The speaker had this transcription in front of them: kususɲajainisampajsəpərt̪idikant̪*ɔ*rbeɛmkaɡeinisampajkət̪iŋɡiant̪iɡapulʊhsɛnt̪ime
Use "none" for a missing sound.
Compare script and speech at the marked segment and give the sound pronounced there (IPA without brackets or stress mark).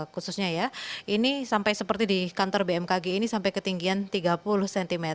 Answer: ɔ